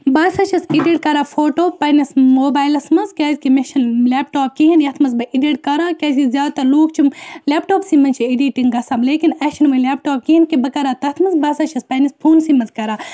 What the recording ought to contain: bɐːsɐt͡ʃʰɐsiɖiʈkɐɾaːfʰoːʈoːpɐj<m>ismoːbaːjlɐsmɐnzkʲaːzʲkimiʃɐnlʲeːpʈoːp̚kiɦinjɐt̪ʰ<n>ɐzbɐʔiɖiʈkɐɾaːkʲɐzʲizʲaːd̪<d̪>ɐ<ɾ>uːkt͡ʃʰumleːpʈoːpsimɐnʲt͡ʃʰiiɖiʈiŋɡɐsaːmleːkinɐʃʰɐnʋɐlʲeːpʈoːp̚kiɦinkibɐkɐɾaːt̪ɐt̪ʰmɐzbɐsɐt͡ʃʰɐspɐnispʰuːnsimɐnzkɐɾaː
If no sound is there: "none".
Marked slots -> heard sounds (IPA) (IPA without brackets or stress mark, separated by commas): n, m, t̪, l